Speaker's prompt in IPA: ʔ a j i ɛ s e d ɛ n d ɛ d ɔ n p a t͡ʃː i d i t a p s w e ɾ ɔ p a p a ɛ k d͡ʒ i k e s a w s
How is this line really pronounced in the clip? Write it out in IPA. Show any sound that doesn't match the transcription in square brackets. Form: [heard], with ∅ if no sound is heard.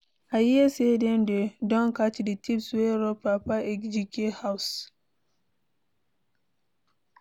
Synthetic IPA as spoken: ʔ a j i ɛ s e d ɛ n d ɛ d ɔ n [k] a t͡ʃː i d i t [i] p s w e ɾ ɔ p a p a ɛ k d͡ʒ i k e [h] a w s